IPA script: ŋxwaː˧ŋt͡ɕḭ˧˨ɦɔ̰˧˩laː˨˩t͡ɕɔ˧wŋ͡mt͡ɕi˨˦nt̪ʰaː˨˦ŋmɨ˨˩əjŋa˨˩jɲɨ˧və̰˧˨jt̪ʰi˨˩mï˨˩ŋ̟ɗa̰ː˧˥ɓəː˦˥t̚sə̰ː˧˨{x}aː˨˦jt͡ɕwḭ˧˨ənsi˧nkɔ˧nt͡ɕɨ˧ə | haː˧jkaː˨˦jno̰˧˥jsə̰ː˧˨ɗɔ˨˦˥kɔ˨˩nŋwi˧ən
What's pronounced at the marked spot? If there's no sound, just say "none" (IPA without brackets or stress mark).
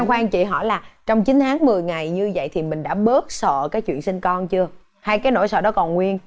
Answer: k